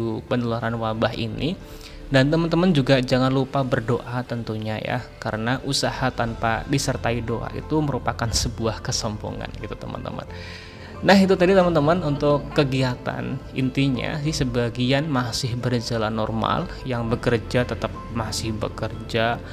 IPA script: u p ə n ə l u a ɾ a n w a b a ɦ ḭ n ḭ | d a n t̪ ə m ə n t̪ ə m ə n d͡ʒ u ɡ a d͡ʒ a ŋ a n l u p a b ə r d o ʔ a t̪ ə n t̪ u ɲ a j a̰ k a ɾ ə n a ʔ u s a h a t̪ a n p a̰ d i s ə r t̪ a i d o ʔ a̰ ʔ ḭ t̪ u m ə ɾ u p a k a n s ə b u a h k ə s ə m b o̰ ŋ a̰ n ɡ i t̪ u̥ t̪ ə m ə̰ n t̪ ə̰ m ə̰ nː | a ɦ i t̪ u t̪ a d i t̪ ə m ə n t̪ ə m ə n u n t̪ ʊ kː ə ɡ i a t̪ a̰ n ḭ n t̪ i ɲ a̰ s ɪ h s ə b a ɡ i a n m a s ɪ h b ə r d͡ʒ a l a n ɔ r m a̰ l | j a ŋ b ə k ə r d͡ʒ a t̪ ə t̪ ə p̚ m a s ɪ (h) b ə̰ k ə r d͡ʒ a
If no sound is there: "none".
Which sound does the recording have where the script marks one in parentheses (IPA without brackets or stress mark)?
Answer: h